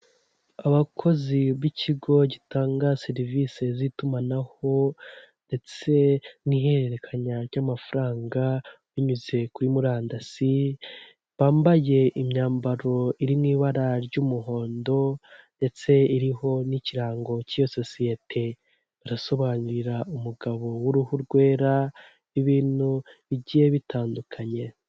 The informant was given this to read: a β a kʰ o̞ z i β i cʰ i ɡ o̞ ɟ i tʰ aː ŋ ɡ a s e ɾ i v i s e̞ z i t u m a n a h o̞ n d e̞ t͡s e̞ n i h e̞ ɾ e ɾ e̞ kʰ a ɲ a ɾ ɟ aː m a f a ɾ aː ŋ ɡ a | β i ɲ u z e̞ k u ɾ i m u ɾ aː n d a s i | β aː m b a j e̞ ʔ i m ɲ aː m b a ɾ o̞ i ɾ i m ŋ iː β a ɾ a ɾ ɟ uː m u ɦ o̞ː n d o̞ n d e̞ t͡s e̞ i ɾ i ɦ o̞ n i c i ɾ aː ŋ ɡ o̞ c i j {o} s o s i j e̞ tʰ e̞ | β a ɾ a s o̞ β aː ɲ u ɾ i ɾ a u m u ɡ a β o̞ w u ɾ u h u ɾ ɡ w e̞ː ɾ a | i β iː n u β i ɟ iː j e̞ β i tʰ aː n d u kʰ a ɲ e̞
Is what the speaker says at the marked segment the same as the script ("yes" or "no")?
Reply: yes